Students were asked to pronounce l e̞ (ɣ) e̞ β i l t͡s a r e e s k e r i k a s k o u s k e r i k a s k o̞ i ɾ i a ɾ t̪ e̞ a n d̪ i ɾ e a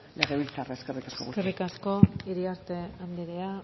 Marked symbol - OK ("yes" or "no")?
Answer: yes